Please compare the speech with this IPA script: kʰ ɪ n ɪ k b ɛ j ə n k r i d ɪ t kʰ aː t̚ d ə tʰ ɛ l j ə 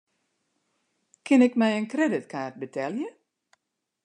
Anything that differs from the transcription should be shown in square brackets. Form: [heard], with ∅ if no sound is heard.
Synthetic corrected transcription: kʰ ɪ n ɪ k [m] ɛ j ə n k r [ɛ] d ɪ t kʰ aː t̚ [b] ə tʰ ɛ l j ə